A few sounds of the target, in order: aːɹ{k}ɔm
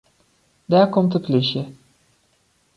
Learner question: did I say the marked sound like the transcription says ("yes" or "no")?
yes